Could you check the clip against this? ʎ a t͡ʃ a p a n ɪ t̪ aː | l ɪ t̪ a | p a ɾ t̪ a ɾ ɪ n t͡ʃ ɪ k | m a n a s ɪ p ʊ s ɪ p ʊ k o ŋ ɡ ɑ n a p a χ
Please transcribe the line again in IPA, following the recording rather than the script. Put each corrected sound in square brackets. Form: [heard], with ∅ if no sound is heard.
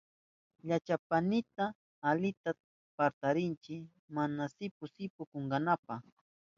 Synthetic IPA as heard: ʎ a t͡ʃ a p a n ɪ t̪ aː | l ɪ t̪ a | p a ɾ t̪ a ɾ ɪ n t͡ʃ ɪ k | m a n a s ɪ p ʊ s ɪ p ʊ k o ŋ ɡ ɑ n a p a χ